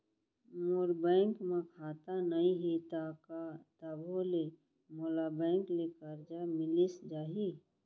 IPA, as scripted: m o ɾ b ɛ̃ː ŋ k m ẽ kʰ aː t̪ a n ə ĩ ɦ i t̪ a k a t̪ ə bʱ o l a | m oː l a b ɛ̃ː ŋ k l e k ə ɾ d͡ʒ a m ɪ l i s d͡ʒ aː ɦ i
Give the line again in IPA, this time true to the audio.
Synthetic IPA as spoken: m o ɾ b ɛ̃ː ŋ k m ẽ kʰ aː t̪ a n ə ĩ ɦ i t̪ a k a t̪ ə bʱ o l e | m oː l a b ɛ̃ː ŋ k l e k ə ɾ d͡ʒ a m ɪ l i s d͡ʒ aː ɦ i